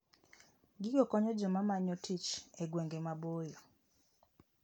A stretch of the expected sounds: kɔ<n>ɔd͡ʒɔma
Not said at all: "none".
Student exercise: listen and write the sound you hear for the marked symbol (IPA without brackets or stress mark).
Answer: ɲ